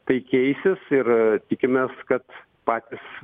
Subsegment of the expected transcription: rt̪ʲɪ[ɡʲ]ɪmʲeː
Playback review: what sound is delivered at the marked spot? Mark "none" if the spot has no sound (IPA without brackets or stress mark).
kʲ